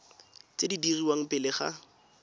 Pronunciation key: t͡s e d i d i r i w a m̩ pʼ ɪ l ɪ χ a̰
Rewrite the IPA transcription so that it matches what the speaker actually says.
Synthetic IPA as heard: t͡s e d i d i r i w a ŋ̩ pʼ ɪ l ɪ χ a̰